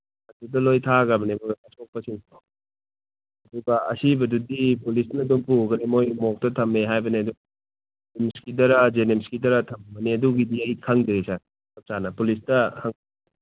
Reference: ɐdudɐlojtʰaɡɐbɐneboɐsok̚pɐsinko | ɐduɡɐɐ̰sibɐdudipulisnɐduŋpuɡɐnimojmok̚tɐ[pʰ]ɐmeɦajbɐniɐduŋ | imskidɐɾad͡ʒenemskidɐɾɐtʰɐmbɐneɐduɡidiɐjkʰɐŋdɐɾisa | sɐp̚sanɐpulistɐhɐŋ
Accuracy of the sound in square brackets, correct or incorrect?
incorrect